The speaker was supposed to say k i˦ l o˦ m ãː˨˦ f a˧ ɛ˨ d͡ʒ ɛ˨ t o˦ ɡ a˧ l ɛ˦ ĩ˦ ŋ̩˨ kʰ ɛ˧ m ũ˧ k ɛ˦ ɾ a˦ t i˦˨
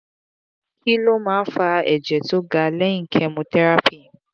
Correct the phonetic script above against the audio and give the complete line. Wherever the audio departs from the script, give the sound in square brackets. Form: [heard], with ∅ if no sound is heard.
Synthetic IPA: k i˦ l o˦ m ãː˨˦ f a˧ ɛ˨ d͡ʒ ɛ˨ t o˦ ɡ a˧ l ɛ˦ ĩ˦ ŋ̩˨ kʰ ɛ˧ m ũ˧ [t] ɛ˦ ɾ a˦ [p] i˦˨